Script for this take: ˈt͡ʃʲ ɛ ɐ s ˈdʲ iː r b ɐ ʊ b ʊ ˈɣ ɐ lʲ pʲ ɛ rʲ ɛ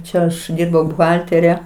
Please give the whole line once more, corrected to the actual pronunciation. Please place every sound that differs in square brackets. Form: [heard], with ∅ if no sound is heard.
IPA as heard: ˈt͡ʃʲ ɛ ɐ [ʃ] ˈdʲ iː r b ɐ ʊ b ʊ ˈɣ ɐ lʲ [tʲ] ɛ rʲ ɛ